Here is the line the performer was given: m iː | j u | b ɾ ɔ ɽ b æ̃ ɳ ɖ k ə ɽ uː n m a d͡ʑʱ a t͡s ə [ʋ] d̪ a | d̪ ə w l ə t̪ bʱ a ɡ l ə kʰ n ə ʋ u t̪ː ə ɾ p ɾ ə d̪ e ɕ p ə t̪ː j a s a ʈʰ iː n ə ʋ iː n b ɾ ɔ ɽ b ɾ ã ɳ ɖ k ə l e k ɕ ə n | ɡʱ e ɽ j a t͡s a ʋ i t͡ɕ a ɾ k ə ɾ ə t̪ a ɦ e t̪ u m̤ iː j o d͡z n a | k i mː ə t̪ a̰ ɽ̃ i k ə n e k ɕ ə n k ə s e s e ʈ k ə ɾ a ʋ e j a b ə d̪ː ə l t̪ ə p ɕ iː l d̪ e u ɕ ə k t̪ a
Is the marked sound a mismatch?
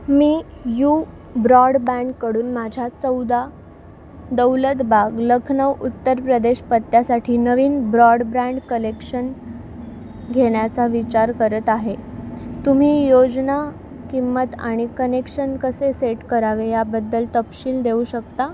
yes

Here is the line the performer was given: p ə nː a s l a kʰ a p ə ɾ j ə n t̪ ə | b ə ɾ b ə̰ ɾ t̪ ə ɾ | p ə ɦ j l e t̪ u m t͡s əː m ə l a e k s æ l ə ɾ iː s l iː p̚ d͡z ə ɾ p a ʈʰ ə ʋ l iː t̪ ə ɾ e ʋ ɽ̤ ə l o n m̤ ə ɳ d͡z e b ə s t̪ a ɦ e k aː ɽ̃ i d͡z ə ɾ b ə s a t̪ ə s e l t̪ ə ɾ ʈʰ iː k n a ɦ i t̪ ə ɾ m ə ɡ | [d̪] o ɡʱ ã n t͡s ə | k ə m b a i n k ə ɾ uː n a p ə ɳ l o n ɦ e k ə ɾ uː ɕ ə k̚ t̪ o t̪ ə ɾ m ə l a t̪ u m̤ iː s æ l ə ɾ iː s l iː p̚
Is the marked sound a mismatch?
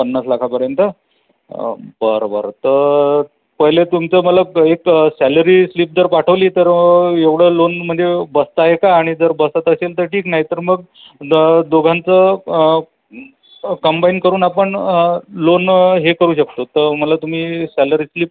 no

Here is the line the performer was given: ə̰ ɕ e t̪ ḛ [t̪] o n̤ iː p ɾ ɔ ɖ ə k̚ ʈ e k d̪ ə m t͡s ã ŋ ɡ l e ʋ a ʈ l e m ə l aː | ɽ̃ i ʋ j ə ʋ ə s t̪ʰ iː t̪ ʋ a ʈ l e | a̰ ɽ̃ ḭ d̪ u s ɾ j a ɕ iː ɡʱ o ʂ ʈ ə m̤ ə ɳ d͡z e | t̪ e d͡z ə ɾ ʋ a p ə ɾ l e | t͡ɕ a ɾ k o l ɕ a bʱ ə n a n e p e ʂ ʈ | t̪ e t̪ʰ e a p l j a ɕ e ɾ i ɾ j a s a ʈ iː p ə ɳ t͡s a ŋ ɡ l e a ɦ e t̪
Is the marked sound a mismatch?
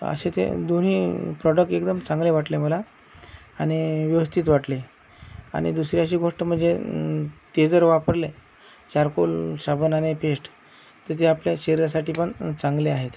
yes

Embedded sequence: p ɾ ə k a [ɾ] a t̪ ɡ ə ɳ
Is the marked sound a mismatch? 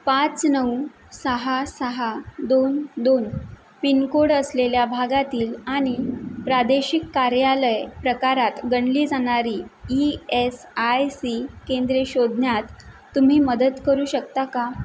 no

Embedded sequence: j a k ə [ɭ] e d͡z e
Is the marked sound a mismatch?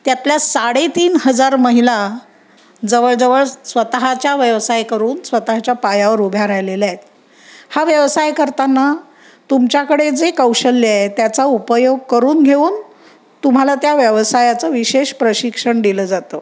yes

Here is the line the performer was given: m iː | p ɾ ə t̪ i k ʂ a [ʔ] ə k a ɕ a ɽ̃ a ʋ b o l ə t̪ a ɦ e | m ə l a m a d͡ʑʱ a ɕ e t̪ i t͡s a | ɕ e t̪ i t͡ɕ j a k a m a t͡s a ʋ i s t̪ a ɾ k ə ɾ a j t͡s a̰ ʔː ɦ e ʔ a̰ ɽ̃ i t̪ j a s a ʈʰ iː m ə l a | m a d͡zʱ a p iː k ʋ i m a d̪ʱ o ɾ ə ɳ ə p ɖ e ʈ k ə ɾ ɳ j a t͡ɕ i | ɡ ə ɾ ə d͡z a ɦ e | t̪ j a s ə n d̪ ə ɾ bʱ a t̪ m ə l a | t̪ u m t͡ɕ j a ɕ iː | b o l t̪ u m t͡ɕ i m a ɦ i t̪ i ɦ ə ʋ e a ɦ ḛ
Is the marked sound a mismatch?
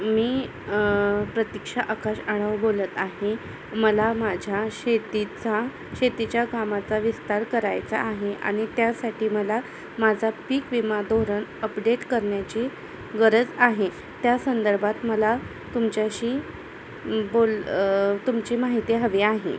no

